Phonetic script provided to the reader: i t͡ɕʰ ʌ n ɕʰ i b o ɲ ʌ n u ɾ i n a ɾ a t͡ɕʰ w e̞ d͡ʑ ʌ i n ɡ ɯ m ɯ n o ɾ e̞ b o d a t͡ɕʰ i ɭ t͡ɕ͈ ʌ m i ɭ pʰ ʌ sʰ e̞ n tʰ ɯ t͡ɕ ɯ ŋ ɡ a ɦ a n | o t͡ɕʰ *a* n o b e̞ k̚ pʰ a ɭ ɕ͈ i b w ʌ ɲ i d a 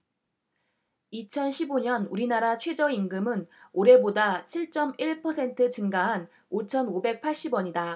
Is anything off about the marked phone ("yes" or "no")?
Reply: yes